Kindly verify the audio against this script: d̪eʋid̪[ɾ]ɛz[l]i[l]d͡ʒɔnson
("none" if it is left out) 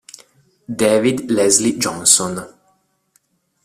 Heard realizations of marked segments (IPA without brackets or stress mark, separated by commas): l, l, none